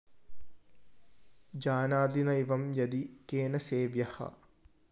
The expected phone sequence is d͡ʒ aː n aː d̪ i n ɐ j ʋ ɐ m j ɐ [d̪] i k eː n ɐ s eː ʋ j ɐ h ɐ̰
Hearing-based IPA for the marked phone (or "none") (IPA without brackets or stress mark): d̪